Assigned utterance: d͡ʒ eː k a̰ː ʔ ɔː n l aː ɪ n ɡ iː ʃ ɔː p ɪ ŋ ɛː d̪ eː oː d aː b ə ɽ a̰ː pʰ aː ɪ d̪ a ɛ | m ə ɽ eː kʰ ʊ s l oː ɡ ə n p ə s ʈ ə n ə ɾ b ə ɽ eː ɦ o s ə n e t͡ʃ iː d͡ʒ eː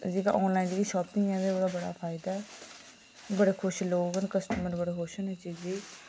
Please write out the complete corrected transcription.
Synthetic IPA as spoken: d͡ʒ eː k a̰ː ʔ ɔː n l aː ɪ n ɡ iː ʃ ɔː p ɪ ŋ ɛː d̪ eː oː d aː b ə ɽ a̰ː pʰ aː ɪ d̪ a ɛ | b ə ɽ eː kʰ ʊ ʃ l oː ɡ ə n k ə s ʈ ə m ə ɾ b ə ɽ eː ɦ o ʃ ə n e t͡ʃ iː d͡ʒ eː

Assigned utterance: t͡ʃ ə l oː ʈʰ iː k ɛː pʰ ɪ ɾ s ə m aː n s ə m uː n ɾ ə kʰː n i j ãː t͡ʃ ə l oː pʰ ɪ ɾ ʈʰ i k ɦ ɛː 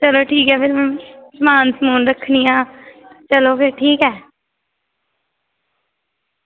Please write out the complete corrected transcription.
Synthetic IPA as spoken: t͡ʃ ə l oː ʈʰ iː k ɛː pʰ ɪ ɾ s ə m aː n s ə m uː n ɾ ə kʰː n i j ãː t͡ʃ ə l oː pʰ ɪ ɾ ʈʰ iː k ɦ ɛː

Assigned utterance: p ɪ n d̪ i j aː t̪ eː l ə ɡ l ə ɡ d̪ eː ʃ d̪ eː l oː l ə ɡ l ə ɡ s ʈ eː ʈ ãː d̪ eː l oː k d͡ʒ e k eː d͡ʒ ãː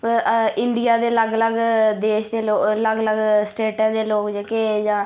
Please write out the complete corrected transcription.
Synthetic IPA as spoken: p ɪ n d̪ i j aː d̪ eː l ə ɡ l ə ɡ d̪ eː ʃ d̪ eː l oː l ə ɡ l ə ɡ s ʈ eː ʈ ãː d̪ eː l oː k d͡ʒ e k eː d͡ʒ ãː

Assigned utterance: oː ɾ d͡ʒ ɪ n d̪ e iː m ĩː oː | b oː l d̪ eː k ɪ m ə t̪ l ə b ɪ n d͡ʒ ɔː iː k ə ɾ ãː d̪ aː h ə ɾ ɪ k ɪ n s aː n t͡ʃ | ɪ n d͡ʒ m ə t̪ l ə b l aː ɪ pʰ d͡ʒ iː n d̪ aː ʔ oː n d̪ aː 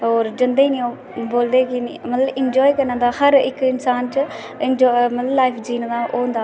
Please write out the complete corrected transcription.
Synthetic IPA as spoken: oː ɾ d͡ʒ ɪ n d̪ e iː n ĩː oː | b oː l d̪ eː k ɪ m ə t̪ l ə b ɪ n d͡ʒ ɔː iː k ə ɾ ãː d̪ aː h ə ɾ ɪ k ɪ n s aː n t͡ʃ | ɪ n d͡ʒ m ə t̪ l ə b l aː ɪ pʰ d͡ʒ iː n d̪ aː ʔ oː n d̪ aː

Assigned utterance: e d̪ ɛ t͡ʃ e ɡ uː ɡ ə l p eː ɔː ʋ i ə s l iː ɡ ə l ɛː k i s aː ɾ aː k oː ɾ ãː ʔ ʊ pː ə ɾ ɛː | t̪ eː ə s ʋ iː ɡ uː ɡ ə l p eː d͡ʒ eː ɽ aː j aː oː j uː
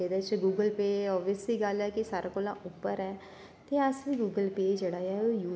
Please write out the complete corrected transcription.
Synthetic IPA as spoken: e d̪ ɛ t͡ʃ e ɡ uː ɡ ə l p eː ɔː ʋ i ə s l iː ɡ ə l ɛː k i s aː ɾ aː k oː l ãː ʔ ʊ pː ə ɾ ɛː | t̪ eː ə s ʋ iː ɡ uː ɡ ə l p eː d͡ʒ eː ɽ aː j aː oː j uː

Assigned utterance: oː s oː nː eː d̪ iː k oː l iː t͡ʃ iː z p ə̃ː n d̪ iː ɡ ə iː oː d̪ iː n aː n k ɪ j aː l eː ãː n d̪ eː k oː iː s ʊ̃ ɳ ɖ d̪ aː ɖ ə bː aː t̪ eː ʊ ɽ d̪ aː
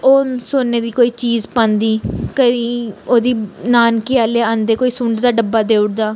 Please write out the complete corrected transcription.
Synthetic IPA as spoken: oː s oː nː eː d̪ iː k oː iː t͡ʃ iː z p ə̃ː n d̪ iː k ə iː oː d̪ iː n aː n k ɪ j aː l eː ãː n d̪ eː k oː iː s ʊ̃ ɳ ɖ d̪ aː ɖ ə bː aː d̪ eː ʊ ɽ d̪ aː

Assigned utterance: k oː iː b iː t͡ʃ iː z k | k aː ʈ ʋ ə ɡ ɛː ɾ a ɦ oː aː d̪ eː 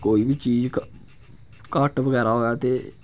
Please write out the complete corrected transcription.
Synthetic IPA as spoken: k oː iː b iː t͡ʃ iː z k | k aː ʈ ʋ ə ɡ ɛː ɾ a ɦ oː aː t̪ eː

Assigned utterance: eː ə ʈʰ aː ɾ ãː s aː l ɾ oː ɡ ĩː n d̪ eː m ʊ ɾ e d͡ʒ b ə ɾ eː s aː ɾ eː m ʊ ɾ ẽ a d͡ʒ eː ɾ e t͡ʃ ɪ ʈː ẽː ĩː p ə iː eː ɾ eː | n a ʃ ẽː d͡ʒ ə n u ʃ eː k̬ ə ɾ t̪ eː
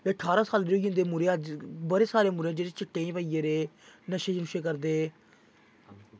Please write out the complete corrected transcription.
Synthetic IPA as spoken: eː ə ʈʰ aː ɾ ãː s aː l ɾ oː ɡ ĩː n d̪ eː m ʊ ɾ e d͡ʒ b ə ɾ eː s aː ɾ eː m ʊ ɾ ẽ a d͡ʒ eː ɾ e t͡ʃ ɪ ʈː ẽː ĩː p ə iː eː ɾ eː | n ə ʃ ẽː d͡ʒ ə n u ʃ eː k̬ ə ɾ d̪ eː

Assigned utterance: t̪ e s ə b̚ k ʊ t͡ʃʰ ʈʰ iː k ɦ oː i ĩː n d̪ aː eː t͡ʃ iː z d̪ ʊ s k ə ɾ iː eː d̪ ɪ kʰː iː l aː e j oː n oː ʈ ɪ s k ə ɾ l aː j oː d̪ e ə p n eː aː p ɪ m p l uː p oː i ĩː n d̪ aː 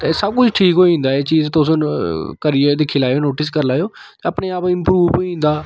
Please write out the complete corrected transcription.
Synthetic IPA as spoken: t̪ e s ə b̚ k ʊ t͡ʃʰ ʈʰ iː k ɦ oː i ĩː n d̪ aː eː t͡ʃ iː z t̪ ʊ s k ə ɾ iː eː d̪ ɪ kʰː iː l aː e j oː n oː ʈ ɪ s k ə ɾ l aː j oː t̪ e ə p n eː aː p ɪ m p ɾ uː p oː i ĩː n d̪ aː

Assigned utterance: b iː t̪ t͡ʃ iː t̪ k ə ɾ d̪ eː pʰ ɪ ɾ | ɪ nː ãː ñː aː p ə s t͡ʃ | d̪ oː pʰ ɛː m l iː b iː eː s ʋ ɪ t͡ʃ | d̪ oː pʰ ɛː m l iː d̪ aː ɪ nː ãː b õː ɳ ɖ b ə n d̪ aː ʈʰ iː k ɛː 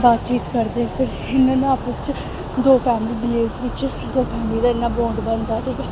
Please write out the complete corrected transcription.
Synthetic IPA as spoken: b aː t̪ t͡ʃ iː t̪ k ə ɾ d̪ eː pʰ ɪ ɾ | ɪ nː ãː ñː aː p ə s t͡ʃ | d̪ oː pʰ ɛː m l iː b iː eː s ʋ ɪ t͡ʃ | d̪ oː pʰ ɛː m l iː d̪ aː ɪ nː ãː b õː ɳ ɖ b ə n d̪ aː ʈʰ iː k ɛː

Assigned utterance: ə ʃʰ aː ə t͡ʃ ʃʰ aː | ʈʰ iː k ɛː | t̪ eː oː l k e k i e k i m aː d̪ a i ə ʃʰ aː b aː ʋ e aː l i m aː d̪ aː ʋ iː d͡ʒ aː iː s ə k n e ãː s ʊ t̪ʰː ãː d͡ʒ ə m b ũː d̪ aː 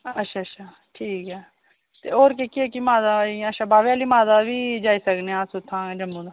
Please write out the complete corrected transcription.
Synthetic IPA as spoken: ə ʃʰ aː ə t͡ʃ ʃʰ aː | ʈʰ iː k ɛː | t̪ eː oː ɾ k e k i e k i m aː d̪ a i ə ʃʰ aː b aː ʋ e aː l i m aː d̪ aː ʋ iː d͡ʒ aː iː s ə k n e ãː s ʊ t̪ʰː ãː d͡ʒ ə m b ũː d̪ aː

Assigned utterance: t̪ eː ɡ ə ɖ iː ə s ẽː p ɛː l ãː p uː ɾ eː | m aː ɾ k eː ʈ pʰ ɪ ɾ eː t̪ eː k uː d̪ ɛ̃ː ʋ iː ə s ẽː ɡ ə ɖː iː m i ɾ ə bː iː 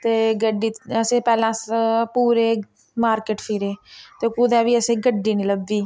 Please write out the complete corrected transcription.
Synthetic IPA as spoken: t̪ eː ɡ ə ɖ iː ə s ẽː p ɛː l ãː p uː ɾ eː | m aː ɾ k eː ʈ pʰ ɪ ɾ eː t̪ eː k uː d̪ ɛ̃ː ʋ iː ə s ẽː ɡ ə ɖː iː n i l ə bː iː

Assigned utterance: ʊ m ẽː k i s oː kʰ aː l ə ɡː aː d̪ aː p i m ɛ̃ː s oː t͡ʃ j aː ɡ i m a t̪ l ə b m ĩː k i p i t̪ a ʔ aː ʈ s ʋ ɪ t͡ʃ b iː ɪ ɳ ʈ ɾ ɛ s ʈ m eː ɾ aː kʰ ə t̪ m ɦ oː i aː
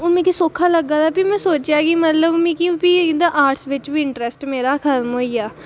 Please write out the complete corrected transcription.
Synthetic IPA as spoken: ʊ m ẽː k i s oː kʰ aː l ə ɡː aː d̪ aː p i m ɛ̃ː s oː t͡ʃ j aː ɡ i m ə t̪ l ə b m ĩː k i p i d̪ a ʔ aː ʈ s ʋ ɪ t͡ʃ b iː ɪ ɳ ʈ ɾ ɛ s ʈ m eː ɾ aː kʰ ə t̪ m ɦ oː i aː

